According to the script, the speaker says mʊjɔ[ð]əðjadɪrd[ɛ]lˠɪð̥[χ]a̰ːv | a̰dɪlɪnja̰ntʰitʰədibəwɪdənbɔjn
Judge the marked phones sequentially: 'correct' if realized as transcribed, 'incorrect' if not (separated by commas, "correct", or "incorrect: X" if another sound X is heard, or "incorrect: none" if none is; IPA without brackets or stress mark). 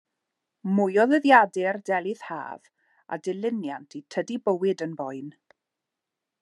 correct, correct, incorrect: h